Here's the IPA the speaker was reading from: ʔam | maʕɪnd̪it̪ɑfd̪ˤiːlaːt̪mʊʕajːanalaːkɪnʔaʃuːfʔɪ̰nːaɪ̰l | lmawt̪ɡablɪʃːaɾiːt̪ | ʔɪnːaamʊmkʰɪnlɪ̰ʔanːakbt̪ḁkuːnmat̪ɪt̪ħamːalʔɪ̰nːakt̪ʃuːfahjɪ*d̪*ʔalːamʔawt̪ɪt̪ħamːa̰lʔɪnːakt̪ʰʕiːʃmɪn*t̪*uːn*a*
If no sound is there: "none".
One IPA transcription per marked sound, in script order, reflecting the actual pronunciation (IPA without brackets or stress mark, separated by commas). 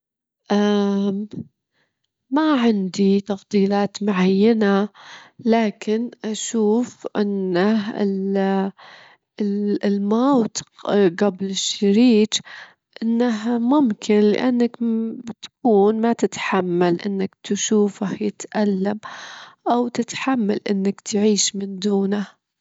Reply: t̪, d̪, a